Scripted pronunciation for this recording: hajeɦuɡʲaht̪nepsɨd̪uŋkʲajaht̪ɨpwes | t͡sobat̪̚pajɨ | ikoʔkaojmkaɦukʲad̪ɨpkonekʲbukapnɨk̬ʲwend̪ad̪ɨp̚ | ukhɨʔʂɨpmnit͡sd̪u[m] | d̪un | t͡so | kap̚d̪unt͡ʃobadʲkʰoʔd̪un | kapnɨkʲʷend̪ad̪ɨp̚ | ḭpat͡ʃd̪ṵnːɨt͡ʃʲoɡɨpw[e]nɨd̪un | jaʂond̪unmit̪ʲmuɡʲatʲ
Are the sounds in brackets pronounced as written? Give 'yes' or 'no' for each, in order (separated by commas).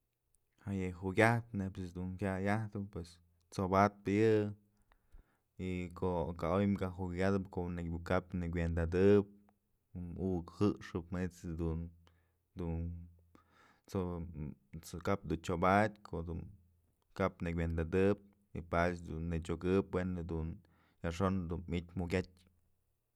no, yes